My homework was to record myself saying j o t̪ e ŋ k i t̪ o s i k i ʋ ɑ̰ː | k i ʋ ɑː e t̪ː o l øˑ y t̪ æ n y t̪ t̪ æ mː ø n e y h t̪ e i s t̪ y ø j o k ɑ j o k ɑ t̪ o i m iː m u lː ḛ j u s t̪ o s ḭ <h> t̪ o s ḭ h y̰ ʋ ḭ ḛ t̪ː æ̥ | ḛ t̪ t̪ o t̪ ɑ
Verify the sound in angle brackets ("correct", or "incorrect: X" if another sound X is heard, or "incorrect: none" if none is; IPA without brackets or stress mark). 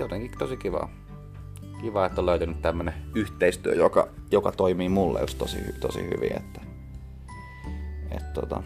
correct